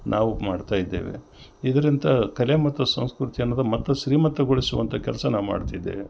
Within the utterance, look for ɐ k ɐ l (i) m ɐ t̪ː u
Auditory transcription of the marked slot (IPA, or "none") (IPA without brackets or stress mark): e